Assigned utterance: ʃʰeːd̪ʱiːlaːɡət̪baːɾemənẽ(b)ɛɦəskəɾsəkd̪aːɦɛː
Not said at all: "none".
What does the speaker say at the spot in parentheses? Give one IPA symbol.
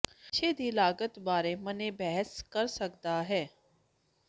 b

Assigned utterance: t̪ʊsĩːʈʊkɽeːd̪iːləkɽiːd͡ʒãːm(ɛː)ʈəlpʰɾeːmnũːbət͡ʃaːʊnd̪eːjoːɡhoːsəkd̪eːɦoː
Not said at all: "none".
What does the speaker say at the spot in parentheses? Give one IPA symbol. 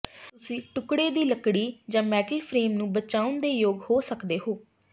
ɛː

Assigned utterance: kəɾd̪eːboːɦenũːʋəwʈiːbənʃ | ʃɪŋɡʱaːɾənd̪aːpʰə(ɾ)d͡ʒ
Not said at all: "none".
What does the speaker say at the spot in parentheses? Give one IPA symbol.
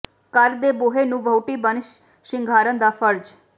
ɾ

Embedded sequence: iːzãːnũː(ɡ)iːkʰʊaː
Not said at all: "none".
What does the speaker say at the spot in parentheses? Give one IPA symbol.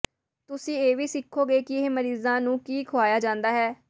k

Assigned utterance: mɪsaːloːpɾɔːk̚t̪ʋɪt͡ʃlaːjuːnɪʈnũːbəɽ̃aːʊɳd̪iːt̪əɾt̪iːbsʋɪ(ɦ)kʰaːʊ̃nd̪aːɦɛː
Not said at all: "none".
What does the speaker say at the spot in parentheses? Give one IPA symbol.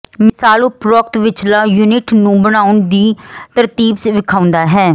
none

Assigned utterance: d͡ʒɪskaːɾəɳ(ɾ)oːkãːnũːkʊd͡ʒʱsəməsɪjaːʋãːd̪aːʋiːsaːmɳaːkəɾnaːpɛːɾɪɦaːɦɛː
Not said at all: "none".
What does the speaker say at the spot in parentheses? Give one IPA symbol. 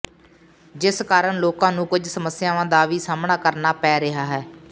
l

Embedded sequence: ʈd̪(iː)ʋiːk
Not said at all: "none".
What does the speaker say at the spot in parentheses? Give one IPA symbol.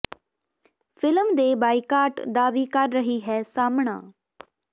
aː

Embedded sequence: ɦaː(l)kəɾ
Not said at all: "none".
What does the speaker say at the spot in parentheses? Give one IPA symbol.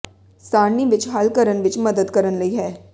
l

